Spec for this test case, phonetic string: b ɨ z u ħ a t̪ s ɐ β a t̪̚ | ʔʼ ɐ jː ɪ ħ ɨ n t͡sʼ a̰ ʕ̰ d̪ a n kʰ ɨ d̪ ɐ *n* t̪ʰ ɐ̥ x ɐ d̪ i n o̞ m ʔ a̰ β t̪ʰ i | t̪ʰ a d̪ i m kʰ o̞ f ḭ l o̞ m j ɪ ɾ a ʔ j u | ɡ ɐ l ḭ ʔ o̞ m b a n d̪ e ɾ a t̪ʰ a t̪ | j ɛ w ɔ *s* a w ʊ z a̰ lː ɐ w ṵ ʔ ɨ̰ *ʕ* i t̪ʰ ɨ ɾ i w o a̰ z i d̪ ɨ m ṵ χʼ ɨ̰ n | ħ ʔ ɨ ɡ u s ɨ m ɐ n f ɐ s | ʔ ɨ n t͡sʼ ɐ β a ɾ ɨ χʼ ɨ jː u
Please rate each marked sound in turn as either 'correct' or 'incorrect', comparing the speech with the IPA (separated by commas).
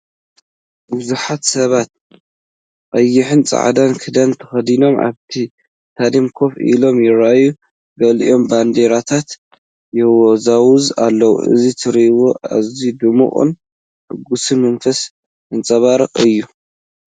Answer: correct, incorrect, incorrect